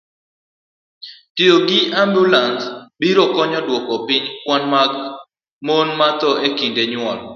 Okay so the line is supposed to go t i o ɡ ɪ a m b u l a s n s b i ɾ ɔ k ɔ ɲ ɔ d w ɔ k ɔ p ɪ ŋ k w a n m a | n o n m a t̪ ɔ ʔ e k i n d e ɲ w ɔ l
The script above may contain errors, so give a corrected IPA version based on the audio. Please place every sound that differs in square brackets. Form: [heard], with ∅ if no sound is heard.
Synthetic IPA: t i o ɡ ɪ a m b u l a [∅] n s b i ɾ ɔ k ɔ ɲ ɔ d w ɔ k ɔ p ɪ [ɲ] k w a n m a | [m] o n m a t̪ ɔ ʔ e k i n d e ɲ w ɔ l